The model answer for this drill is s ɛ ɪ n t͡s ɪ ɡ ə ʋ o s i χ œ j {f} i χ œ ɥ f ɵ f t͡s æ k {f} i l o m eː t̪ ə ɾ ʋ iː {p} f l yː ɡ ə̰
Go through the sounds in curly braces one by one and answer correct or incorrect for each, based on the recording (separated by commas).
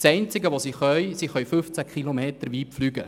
incorrect, incorrect, correct